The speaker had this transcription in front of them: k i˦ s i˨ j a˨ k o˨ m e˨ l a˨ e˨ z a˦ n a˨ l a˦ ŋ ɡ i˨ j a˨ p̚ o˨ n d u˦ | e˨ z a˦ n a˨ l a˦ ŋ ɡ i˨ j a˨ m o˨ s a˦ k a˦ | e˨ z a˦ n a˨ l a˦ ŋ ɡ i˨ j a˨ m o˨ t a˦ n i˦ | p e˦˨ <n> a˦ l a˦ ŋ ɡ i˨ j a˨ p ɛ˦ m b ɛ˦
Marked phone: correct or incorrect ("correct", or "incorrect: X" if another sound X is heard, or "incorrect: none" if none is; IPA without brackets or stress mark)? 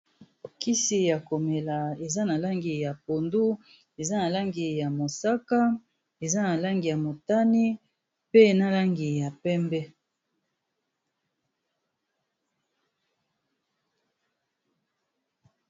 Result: correct